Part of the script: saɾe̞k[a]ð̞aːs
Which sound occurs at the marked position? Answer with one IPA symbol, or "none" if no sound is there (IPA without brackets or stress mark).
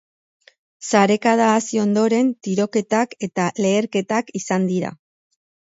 a